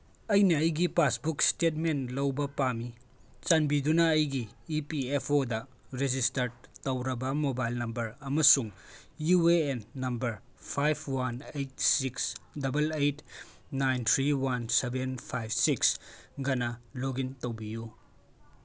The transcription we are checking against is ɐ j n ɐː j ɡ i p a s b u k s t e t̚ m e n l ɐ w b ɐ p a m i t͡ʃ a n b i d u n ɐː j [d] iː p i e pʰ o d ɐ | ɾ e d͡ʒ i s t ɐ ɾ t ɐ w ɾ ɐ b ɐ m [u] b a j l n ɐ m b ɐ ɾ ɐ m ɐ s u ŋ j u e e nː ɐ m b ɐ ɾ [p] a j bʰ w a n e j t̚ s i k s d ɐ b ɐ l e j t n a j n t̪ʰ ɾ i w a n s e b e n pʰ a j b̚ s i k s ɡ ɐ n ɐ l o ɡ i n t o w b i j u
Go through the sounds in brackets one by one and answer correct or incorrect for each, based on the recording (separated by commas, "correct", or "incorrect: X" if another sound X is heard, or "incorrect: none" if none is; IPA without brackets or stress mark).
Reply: incorrect: ɡ, incorrect: o, incorrect: pʰ